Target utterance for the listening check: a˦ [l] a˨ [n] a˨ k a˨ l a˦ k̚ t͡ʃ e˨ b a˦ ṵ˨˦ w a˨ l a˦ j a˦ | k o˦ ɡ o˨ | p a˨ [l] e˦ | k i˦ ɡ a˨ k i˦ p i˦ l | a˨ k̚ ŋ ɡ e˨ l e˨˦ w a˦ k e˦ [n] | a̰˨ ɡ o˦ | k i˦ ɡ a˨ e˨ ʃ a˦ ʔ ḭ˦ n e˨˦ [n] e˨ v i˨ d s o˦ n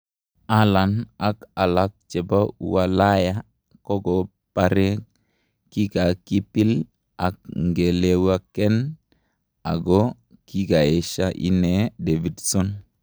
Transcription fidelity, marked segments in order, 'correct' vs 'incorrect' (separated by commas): correct, correct, incorrect, correct, incorrect